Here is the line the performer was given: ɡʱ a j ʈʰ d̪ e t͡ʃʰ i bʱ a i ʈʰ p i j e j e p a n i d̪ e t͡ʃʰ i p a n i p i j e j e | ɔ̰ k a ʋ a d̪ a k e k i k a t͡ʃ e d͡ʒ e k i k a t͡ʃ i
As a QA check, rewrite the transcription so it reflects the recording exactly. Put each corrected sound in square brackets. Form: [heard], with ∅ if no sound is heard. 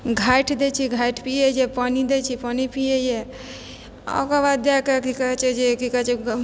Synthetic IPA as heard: ɡʱ a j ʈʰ d̪ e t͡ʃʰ i [ɡʱ] a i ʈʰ p i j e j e p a n i d̪ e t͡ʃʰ i p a n i p i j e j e | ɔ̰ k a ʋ a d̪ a k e k i k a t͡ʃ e d͡ʒ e k i k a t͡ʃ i